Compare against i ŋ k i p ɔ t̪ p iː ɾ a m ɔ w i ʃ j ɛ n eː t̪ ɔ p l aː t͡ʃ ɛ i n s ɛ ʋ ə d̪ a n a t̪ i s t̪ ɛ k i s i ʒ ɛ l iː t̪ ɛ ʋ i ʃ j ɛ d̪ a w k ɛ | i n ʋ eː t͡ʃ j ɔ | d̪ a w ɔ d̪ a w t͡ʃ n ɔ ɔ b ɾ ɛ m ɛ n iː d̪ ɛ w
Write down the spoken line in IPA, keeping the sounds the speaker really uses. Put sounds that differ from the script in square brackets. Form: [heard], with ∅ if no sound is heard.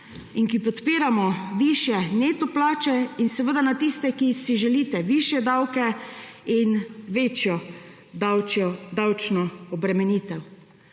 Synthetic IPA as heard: i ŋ k i p ɔ t̪ p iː ɾ a m ɔ [ʋ] i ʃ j ɛ n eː t̪ ɔ p l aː t͡ʃ ɛ i n s ɛ ʋ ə d̪ a n a t̪ i s t̪ ɛ k i s i ʒ ɛ l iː t̪ ɛ ʋ i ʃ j ɛ d̪ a w k ɛ | i n ʋ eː t͡ʃ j ɔ | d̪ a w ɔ d̪ a w t͡ʃ n ɔ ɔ b ɾ ɛ m ɛ n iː [t̪] ɛ w